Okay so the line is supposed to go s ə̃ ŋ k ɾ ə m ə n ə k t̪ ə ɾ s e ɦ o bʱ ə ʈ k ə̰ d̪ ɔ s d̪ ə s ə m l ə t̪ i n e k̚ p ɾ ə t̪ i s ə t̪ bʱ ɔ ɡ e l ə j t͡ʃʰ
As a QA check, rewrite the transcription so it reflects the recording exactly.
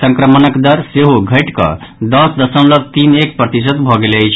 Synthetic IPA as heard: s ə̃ ŋ k ɾ ə m ə n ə k d̪ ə ɾ s e ɦ o ɡʱ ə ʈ k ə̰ d̪ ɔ s d̪ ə s ə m l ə t̪ i n e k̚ p ɾ ə t̪ i s ə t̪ bʱ ɔ ɡ e l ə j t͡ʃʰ